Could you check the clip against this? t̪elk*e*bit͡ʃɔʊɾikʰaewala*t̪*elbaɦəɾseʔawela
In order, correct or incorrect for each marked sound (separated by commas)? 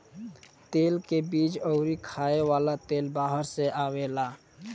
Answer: correct, correct